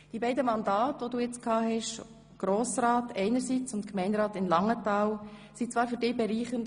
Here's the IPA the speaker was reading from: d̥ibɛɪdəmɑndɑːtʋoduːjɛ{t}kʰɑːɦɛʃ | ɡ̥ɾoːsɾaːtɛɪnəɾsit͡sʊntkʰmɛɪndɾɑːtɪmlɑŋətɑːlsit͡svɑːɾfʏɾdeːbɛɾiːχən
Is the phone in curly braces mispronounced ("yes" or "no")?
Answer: yes